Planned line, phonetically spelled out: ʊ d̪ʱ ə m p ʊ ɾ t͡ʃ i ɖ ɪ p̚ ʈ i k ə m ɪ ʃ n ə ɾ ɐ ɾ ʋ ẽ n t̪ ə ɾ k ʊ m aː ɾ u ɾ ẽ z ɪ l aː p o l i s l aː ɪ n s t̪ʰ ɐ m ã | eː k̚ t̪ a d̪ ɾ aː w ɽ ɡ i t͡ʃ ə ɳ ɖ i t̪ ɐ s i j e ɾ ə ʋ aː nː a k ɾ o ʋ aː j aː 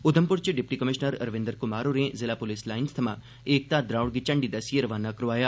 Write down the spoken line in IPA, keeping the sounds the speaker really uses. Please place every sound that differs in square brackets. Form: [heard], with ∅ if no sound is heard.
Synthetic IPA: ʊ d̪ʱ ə m p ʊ ɾ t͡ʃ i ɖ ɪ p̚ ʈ i k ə m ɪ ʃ n ə ɾ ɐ ɾ ʋ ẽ n [d̪] ə ɾ k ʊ m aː ɾ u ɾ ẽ z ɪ l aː p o l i s l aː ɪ n s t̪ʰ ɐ m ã | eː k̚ t̪ a d̪ ɾ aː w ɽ ɡ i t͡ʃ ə ɳ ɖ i [d̪] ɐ s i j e ɾ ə ʋ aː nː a k ɾ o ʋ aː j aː